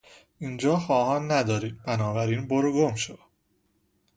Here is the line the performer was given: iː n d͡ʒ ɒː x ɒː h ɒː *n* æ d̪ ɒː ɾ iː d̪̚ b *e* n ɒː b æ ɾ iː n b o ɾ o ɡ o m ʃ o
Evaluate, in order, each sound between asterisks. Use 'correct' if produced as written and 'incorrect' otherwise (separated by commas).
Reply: incorrect, incorrect